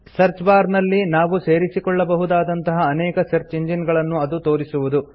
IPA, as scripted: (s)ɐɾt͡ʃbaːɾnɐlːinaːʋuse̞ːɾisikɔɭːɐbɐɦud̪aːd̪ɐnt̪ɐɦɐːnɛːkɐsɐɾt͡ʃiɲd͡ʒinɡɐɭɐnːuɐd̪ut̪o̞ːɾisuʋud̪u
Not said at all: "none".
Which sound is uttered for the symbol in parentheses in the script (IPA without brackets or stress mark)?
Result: s